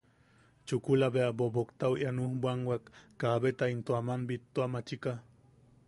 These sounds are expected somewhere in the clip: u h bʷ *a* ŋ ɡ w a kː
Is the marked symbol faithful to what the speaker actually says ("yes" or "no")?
yes